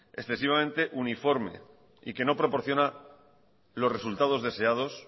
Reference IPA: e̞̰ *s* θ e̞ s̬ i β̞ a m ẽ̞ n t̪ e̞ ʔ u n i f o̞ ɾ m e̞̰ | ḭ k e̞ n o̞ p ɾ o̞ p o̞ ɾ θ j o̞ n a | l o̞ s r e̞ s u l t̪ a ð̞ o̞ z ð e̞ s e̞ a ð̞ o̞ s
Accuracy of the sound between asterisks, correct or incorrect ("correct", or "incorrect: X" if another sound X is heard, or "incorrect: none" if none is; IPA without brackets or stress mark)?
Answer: correct